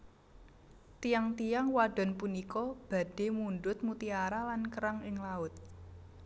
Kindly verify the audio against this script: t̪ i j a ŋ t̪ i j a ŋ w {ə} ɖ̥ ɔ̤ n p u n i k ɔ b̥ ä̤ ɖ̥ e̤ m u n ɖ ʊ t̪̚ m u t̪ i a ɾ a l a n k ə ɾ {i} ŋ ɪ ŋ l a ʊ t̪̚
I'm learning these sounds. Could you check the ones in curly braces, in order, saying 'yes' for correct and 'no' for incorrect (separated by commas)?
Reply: no, no